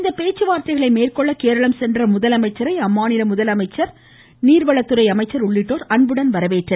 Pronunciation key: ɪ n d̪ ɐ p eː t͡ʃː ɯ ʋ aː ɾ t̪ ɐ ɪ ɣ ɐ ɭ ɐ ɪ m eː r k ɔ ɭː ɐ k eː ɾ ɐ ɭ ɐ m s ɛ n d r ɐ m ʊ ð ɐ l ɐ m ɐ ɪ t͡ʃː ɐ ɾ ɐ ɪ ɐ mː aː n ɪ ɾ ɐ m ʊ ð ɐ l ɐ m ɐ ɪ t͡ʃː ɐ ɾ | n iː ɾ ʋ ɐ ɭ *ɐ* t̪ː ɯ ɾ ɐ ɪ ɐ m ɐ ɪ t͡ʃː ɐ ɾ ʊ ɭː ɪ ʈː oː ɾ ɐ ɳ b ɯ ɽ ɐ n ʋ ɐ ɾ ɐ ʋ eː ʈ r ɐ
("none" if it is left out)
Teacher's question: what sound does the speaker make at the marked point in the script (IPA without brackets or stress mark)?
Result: ɐ